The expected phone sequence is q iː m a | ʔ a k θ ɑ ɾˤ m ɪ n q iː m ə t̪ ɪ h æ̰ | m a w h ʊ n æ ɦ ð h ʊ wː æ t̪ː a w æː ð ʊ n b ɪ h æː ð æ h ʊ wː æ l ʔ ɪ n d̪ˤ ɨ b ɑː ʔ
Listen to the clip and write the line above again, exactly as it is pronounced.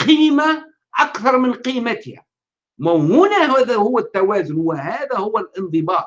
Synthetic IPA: q iː m a | ʔ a k θ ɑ ɾˤ m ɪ n q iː m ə t̪ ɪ h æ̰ | m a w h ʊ n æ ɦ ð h ʊ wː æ t̪ː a w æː z ʊ n w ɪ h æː ð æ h ʊ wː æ l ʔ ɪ n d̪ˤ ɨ b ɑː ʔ